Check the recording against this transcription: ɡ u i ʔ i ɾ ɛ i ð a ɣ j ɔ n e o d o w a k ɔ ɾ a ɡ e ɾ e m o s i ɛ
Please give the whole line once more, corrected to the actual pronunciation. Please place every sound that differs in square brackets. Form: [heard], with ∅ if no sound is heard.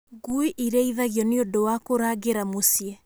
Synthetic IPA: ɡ u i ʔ i ɾ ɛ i ð a ɣ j ɔ n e o d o w a k [o] ɾ a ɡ e ɾ [a] m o s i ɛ